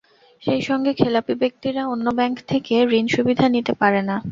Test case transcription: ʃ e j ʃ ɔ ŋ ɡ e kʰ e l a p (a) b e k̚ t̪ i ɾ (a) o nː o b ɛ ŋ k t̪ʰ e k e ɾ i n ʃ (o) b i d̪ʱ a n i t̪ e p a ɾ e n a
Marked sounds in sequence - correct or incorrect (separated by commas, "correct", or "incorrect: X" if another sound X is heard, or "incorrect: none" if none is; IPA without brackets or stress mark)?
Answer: incorrect: i, correct, incorrect: u